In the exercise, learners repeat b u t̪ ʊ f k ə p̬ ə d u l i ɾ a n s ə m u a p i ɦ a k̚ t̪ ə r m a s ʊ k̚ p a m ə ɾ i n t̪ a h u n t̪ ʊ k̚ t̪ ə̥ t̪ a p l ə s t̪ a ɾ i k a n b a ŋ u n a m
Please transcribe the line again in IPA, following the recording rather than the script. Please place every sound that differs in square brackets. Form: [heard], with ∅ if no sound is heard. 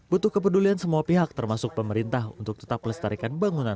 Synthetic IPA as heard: b u t̪ ʊ [h] k ə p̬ ə d u l i [∅] a n s ə m u a p i ɦ a k̚ t̪ ə r m a s ʊ k̚ p [ə] m ə ɾ i n t̪ a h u n t̪ ʊ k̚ t̪ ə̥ t̪ a p l ə s t̪ a ɾ i k a n b a ŋ u n a [n]